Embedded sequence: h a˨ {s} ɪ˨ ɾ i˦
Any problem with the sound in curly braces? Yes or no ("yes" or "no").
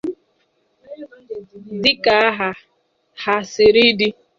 no